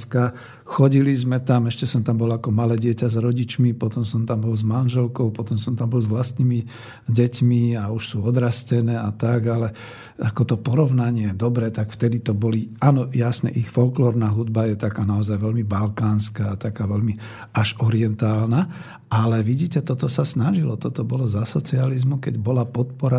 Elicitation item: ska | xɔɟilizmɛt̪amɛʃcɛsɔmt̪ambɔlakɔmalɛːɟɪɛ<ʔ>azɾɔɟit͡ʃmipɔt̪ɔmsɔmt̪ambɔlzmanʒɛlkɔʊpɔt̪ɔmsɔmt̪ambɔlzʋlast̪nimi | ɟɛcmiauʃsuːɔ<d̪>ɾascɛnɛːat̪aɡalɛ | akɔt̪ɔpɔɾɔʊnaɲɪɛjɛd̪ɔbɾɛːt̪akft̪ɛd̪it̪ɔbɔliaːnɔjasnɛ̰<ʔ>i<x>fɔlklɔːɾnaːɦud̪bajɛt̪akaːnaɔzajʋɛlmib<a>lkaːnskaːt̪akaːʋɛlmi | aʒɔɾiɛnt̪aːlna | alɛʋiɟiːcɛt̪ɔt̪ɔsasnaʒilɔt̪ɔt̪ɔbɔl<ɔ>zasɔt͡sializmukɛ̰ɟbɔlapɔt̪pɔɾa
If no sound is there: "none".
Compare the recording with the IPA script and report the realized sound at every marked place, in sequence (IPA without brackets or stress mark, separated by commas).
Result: c, d̪, ʔ, x, a, ɔ